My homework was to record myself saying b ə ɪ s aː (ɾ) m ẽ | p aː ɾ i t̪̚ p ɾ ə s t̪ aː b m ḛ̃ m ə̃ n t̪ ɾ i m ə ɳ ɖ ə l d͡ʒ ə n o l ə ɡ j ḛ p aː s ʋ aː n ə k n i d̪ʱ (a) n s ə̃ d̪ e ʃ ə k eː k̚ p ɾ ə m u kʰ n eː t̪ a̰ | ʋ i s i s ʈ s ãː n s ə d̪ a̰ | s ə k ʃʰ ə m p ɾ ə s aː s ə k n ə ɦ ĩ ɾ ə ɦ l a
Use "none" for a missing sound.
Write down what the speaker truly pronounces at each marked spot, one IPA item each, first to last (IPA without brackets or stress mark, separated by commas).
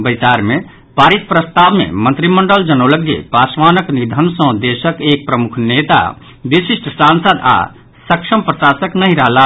ɾ, ə